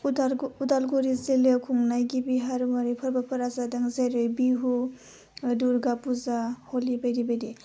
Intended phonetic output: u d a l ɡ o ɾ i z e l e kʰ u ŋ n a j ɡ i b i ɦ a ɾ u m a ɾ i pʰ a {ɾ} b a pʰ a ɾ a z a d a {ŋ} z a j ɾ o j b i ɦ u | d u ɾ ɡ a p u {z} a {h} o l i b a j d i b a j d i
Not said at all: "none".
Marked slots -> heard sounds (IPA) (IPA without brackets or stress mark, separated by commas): ɾ, ŋ, z, h